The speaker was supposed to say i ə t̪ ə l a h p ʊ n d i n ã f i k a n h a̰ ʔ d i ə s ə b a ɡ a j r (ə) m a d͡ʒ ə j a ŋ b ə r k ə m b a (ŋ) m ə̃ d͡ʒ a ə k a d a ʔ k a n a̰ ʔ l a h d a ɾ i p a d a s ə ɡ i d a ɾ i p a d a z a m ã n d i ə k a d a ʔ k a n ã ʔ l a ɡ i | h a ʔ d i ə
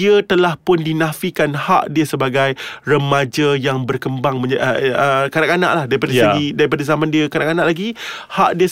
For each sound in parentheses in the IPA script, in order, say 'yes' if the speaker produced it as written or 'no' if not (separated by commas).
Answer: yes, yes